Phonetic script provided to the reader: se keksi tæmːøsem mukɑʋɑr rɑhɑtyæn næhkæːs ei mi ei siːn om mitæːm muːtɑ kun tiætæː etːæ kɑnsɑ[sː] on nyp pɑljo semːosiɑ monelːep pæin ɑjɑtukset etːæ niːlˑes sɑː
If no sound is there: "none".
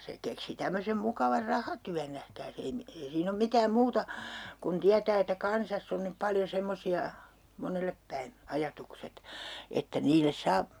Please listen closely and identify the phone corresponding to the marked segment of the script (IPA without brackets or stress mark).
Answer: sː